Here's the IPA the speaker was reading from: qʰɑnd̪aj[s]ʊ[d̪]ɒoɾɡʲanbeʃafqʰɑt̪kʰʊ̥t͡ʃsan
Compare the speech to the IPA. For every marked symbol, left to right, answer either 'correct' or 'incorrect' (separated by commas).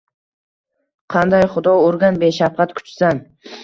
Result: incorrect, correct